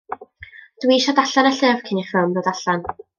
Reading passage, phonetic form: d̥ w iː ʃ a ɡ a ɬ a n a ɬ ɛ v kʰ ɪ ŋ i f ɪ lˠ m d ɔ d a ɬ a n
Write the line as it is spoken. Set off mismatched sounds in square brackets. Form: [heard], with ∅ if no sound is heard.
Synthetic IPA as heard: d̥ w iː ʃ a [d] a ɬ a n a ɬ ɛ v kʰ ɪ [n] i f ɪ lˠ m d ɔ d a ɬ a n